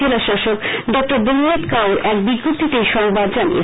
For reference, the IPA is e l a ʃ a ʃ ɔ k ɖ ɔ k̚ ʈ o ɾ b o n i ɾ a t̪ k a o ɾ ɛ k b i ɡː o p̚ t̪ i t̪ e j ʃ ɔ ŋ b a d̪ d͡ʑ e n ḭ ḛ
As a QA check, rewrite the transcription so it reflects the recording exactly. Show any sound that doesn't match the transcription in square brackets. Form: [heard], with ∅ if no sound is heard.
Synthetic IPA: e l a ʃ a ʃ [o] k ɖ ɔ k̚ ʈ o ɾ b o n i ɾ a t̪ k a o ɾ ɛ k b i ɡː o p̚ t̪ i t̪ e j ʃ ɔ ŋ b a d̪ d͡ʑ [a] n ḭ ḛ